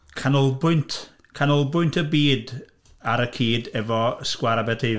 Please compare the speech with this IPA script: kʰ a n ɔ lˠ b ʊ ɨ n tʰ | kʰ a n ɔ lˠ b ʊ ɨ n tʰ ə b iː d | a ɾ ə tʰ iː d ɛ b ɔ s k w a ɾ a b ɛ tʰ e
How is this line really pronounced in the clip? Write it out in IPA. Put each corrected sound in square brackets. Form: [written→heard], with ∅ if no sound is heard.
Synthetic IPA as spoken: kʰ a n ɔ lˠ b ʊ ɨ n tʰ | kʰ a n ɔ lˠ b ʊ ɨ n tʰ ə b iː d | a ɾ ə [tʰ→kʰ] iː d ɛ [b→v] ɔ s k w a ɾ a b ɛ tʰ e